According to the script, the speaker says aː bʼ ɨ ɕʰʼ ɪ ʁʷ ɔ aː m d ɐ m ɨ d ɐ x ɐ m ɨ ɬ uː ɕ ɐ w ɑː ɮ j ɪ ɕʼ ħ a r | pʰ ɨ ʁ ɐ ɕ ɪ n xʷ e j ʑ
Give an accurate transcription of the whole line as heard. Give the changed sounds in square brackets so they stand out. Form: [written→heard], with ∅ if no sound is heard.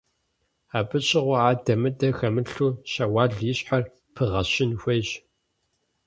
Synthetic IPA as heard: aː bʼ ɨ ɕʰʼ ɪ ʁʷ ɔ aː [m→∅] d ɐ m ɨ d ɐ x ɐ m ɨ ɬ uː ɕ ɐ w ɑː ɮ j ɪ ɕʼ ħ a r | pʰ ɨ ʁ ɐ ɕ ɪ n xʷ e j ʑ